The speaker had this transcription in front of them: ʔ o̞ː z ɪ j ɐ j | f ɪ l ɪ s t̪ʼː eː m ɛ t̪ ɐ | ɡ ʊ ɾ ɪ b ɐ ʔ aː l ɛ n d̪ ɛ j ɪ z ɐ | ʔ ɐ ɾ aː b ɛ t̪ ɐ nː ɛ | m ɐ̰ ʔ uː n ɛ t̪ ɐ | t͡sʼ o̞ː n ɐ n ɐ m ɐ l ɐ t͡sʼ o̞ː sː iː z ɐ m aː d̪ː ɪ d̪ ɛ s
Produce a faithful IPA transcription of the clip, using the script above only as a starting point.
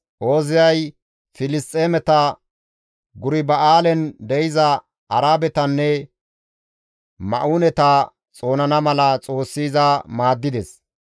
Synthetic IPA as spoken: ʔ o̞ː z ɪ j ɐ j | f ɪ l ɪ s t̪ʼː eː m ɛ t̪ ɐ | ɡ ʊ ɾ ɪ b ɐ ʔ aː l ɛ n d̪ ɛ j ɪ z ɐ | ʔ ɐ ɾ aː b ɛ t̪ ɐ nː ɛ | m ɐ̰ ʔ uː n ɛ t̪ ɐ | t͡sʼ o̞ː n ɐ n ɐ m ɐ l ɐ t͡sʼ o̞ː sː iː z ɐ m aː d̪ː ɪ d̪ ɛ s